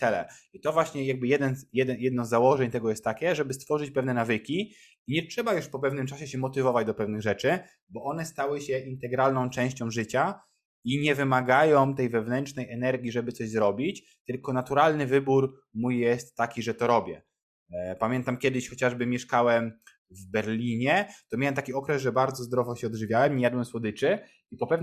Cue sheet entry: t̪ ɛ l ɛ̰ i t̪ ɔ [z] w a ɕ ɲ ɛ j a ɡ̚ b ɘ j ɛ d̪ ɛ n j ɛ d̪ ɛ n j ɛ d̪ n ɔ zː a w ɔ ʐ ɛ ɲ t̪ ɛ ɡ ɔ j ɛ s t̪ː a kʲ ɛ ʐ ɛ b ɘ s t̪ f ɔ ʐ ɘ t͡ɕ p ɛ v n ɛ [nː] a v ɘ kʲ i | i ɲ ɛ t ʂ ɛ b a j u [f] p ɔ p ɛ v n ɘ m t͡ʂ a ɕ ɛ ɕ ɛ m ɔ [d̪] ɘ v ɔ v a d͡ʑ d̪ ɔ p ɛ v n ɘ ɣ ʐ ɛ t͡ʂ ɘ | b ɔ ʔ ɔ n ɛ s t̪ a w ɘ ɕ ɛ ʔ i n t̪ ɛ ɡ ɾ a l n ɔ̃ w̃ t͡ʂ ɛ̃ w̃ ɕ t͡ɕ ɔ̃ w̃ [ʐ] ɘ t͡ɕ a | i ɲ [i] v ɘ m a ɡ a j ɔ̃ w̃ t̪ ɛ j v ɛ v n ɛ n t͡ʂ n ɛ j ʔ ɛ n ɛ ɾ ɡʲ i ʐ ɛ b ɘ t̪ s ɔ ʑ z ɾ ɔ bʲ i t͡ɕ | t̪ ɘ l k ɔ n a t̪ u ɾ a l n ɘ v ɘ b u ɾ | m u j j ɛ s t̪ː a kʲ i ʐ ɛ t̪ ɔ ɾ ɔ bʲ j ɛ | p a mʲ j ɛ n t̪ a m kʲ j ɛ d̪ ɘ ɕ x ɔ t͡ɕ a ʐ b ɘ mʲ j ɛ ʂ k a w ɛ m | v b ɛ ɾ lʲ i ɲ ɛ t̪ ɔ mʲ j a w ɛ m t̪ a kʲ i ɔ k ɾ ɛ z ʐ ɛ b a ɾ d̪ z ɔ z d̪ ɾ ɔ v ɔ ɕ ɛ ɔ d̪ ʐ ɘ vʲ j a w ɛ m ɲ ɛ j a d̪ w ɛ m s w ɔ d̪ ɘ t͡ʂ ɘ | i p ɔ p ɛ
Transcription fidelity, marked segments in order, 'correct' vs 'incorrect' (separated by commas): incorrect, incorrect, incorrect, incorrect, correct, incorrect